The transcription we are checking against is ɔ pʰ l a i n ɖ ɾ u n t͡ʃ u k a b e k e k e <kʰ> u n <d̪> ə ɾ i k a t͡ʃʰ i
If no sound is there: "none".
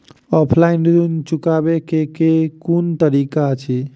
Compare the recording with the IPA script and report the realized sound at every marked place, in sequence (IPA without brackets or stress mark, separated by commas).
k, t̪